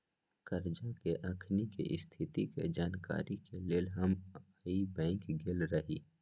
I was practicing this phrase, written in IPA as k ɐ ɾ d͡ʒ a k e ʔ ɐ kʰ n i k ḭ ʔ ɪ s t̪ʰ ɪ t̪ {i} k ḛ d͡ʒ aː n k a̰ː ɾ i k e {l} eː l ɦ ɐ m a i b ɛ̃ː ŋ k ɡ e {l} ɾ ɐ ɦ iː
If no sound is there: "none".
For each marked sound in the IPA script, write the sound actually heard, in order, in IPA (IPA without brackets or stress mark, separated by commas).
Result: i, l, l